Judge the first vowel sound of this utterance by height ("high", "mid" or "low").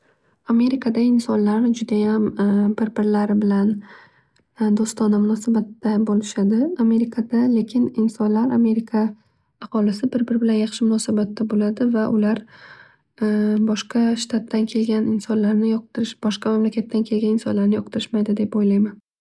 low